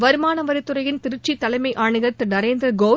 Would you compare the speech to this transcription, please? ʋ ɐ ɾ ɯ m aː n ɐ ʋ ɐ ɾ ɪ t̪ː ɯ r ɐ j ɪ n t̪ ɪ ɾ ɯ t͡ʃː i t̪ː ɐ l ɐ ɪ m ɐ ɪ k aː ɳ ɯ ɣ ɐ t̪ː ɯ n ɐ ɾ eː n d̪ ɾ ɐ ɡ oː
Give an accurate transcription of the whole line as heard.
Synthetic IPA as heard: ʋ ɐ ɾ ɯ m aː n ɐ ʋ ɐ ɾ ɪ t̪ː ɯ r ɐ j ɪ n t̪ ɪ ɾ ɯ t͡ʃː i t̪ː ɐ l ɐ ɪ m ɐ ɪ ʔ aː ɳ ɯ ɣ ɐ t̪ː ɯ n ɐ ɾ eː n d̪ ɾ ɐ ɡ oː